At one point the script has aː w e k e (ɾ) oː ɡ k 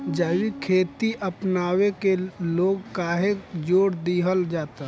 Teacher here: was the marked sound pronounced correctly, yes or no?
no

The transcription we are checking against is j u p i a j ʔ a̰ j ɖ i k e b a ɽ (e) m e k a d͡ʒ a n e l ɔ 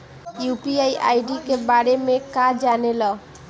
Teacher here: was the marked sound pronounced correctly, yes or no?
yes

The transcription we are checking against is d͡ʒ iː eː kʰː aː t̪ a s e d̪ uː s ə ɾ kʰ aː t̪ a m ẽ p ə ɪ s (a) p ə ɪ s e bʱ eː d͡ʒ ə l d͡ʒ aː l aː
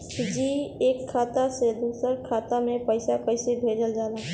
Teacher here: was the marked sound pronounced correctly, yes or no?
yes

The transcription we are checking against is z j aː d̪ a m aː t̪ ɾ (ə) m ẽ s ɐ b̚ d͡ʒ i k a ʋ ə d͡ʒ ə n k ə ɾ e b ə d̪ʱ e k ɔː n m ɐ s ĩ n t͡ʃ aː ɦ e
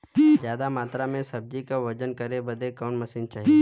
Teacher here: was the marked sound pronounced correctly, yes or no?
no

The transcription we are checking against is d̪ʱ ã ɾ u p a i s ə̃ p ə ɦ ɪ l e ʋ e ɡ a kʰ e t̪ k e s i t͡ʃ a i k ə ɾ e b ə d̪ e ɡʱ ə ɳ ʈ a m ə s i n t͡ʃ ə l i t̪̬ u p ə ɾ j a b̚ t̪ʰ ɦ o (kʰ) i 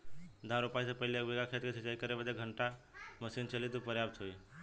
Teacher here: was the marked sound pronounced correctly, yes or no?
no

